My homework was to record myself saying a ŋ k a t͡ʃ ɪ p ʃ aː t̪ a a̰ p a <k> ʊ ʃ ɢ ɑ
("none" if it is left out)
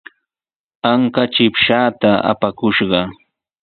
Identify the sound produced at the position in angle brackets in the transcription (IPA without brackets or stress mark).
k